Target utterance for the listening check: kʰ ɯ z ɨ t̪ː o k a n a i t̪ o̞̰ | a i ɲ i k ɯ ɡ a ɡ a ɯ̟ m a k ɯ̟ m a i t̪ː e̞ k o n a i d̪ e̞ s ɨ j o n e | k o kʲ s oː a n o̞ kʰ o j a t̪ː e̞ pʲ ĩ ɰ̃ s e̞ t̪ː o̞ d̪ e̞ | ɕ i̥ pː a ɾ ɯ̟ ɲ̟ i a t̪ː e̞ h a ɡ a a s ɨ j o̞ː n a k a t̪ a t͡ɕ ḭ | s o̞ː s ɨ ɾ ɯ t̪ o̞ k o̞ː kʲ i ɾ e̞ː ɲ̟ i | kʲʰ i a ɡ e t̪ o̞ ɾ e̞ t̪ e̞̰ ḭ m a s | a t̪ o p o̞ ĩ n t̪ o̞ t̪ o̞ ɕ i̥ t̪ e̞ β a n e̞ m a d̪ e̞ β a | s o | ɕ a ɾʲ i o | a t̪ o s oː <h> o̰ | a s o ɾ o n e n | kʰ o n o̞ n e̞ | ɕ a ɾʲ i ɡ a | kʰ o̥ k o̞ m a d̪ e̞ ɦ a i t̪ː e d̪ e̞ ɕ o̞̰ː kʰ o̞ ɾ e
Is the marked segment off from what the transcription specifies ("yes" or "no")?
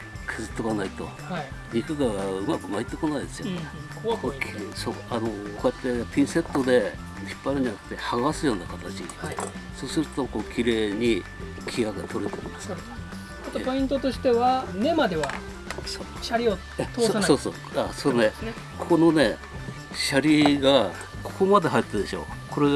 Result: yes